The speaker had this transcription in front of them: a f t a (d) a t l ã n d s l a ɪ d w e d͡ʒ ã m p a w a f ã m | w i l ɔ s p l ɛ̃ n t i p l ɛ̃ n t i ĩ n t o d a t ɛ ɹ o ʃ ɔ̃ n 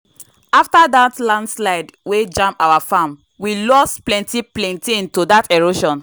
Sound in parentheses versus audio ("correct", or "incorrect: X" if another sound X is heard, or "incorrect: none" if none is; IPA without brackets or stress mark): correct